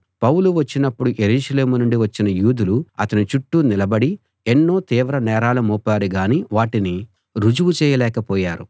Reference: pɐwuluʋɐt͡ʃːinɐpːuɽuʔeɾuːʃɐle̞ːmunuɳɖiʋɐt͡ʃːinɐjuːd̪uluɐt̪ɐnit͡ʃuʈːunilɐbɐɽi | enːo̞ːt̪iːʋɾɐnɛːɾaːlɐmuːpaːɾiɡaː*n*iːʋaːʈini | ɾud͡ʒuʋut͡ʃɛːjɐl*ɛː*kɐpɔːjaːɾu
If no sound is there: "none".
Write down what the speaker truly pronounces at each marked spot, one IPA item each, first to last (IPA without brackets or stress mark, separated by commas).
n, ɛː